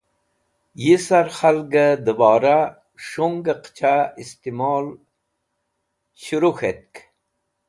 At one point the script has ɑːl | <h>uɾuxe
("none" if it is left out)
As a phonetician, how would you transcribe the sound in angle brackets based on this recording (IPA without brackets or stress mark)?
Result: ɕ